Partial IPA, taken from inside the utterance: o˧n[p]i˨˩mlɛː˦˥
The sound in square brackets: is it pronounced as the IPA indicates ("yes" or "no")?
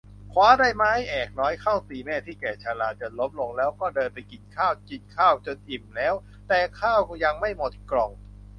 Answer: no